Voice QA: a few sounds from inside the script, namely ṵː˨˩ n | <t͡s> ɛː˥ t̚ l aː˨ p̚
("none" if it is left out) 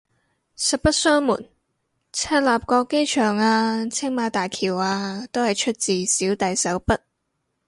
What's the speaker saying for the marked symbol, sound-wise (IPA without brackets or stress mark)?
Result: t͡sʰ